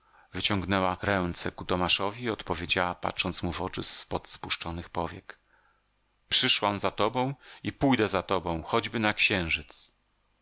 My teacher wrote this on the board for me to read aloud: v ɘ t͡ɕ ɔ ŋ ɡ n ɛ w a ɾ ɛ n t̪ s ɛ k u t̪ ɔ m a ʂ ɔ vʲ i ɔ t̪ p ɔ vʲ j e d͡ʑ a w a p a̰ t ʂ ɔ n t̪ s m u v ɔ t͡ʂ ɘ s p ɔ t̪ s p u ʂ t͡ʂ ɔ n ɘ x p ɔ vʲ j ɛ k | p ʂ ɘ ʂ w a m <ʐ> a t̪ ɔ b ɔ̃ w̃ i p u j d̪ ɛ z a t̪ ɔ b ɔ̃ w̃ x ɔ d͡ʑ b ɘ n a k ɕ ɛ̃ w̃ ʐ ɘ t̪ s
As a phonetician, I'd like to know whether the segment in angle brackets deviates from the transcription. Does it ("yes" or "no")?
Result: yes